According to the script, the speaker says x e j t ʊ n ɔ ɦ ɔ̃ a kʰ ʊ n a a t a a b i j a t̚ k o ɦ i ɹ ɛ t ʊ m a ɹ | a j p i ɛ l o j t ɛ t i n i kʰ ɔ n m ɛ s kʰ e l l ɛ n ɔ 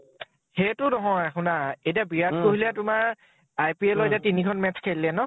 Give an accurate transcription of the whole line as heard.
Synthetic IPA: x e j t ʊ n ɔ ɦ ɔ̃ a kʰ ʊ n a e t i a b i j a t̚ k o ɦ i l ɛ t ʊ m a ɹ | a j p i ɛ l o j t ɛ t i n i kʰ ɔ n m ɛ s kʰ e l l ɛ n ɔ